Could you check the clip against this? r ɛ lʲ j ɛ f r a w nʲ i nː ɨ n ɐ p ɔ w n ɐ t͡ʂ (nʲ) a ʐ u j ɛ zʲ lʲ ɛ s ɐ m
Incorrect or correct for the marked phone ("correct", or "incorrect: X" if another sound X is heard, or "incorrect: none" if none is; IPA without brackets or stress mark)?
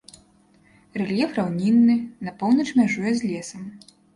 incorrect: mʲ